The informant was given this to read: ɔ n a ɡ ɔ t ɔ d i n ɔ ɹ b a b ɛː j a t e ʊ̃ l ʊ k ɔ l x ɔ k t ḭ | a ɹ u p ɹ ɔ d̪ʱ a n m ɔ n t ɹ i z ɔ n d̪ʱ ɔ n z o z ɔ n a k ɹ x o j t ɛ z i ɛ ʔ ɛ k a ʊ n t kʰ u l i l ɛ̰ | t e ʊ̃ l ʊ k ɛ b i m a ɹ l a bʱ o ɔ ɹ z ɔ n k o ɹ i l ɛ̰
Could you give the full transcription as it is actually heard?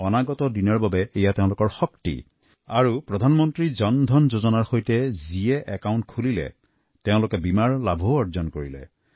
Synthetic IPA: ɔ n a ɡ ɔ t ɔ d i n ɔ ɹ b a b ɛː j a t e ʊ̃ l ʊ k ɔ ɹ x ɔ k t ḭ | a ɹ u p ɹ ɔ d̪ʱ a n m ɔ n t ɹ i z ɔ n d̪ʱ ɔ n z o z ɔ n a ɹ x o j t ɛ z i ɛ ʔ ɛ k a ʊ n t kʰ u l i l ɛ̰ | t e ʊ̃ l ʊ k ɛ b i m a ɹ l a bʱ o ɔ ɹ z ɔ n k o ɹ i l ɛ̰